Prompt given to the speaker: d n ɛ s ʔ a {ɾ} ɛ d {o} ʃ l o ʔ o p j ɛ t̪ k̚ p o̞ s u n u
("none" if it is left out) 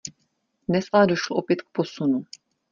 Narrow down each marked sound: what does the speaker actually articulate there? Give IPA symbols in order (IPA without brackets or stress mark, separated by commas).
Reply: l, o